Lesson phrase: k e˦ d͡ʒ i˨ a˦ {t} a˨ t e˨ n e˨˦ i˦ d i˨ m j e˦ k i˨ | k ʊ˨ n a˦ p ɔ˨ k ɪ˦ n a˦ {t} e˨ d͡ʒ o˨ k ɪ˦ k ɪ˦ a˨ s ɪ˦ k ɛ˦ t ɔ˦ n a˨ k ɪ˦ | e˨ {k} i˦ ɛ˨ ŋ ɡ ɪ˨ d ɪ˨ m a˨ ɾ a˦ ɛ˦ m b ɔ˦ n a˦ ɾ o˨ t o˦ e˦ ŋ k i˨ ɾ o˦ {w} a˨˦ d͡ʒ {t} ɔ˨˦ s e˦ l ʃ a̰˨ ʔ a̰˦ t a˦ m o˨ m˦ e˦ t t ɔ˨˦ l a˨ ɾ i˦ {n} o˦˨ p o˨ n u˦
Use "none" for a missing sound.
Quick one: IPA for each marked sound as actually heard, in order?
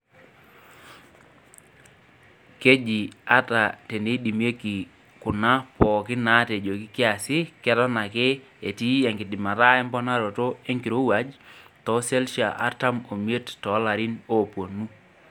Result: t, t, t, w, t, n

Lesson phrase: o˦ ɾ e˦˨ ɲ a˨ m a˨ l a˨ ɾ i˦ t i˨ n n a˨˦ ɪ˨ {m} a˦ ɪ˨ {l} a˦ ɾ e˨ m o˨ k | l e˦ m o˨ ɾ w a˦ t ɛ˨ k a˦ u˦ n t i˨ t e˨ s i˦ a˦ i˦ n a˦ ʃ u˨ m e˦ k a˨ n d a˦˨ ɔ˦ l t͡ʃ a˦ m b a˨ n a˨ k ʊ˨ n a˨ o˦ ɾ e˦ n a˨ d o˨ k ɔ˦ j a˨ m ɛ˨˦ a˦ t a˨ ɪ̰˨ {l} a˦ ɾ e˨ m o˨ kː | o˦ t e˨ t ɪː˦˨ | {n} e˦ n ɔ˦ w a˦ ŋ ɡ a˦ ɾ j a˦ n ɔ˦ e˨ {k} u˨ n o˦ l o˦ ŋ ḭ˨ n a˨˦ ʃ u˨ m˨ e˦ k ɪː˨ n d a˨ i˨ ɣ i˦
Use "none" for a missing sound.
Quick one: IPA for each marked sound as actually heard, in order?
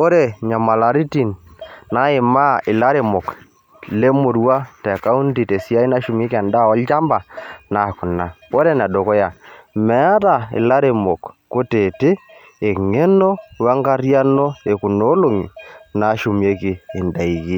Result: m, l, l, ŋ, k

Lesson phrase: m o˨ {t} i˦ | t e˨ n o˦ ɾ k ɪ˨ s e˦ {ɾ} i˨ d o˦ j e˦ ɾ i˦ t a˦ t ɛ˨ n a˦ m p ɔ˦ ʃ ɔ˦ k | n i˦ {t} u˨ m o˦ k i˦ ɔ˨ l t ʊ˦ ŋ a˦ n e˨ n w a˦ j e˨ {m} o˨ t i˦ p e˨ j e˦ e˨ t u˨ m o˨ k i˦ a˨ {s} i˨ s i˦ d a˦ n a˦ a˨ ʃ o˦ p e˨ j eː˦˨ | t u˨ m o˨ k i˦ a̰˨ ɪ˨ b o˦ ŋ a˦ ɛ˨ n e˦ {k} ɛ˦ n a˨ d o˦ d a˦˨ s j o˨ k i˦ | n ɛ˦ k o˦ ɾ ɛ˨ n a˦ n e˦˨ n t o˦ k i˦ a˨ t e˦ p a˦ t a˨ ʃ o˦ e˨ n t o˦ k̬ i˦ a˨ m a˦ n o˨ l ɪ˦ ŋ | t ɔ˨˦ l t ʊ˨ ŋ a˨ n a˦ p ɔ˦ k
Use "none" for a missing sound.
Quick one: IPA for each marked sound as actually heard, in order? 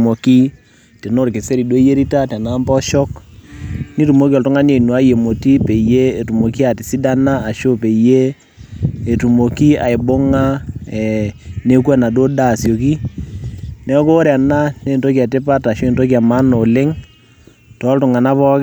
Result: k, ɾ, t, m, t, k

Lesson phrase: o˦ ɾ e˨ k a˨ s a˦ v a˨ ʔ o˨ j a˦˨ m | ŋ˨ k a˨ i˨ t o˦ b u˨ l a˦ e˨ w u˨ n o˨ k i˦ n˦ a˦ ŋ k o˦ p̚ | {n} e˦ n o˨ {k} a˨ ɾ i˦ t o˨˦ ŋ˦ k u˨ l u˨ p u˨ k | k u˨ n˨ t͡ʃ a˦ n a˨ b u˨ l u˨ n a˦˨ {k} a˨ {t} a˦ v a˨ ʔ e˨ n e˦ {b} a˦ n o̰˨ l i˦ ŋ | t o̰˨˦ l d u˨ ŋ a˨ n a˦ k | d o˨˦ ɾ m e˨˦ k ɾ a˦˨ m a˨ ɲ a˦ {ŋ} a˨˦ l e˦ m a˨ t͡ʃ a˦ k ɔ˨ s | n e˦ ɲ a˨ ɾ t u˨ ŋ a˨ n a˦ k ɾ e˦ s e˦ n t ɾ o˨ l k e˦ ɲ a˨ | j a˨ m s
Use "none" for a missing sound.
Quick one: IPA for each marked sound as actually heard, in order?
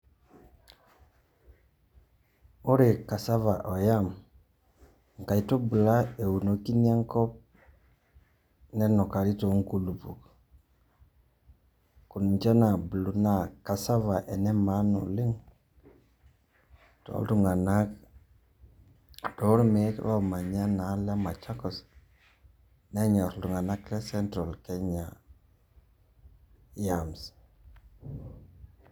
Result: n, k, k, s, m, n

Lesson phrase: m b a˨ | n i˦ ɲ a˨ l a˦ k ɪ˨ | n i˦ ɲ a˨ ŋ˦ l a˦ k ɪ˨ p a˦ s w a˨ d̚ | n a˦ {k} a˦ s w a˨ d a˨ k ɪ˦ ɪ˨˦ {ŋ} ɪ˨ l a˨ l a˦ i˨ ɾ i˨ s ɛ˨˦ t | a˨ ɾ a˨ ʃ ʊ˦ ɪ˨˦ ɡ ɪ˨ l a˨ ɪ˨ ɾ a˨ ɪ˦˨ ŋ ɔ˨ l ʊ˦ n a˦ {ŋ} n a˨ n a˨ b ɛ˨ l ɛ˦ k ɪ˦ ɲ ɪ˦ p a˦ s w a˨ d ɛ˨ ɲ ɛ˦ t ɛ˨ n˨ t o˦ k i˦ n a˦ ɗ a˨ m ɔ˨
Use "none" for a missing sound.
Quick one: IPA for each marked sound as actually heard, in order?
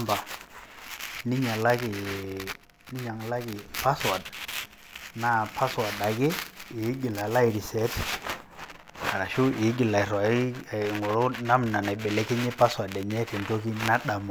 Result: p, ɡ, m

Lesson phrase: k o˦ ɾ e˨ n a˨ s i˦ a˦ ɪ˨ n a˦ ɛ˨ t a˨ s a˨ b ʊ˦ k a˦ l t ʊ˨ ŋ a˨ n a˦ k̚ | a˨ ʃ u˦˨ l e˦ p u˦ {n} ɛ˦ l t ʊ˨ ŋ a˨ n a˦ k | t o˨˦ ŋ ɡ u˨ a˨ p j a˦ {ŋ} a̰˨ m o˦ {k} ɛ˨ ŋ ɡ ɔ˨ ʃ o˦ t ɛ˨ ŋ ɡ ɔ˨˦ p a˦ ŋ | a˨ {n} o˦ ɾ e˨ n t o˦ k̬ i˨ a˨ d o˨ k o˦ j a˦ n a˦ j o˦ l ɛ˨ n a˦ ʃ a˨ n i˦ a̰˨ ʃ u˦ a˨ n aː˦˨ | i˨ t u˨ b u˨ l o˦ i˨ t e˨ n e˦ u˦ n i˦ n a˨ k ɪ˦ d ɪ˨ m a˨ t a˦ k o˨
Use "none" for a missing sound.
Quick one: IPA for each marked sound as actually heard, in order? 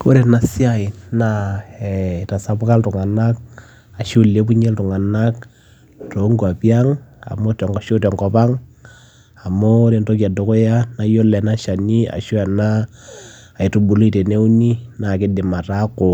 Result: ɲ, ŋ, t, m

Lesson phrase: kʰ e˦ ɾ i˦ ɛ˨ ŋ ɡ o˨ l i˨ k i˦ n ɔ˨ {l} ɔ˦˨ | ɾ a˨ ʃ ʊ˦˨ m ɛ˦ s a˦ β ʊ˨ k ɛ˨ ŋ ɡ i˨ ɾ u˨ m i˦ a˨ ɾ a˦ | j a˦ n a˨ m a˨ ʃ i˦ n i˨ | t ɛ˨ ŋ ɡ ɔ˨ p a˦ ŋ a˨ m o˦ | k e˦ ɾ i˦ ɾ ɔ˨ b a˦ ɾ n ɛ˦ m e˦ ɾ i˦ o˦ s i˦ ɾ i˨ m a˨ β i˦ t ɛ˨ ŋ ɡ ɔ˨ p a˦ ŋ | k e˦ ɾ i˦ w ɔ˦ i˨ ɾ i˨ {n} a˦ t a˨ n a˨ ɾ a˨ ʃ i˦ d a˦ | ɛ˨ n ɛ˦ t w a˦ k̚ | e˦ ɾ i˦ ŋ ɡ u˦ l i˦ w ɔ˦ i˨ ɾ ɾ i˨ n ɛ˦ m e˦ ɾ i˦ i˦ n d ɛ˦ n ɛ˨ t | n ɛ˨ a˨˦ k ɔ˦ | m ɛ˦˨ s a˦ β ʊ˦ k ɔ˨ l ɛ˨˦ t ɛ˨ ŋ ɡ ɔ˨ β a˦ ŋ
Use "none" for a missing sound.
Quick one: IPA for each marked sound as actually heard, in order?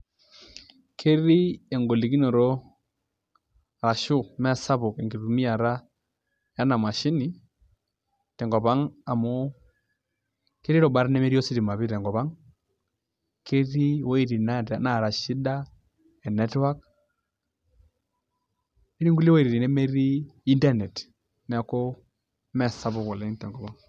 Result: ɾ, n

